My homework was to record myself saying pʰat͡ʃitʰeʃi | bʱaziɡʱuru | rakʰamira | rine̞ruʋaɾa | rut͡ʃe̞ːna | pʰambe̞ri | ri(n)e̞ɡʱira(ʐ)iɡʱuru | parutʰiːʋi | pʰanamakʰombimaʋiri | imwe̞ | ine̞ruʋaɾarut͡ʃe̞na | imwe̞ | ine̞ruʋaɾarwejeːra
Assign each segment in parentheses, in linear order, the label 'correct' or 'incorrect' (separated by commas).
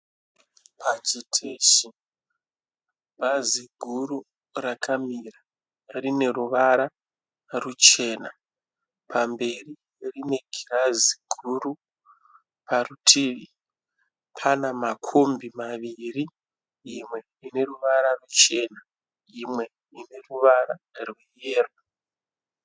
correct, incorrect